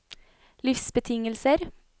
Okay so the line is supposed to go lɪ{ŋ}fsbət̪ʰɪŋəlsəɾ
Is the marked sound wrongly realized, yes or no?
yes